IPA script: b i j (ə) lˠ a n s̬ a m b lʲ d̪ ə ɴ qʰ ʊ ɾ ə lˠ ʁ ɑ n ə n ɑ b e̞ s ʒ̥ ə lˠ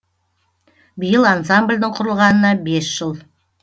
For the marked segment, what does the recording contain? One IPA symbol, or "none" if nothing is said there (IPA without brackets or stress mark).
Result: ə